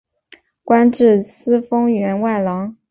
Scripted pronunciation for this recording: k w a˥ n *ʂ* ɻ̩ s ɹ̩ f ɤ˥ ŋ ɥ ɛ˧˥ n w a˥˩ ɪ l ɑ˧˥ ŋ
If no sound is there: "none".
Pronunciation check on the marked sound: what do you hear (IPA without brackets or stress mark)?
ʈ͡ʂ